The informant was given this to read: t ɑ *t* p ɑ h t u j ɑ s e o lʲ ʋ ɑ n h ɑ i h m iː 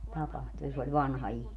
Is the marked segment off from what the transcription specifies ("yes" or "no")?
yes